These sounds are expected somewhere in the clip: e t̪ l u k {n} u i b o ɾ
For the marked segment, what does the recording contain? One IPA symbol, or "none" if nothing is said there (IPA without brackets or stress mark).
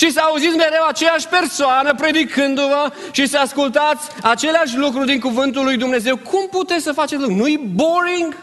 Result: n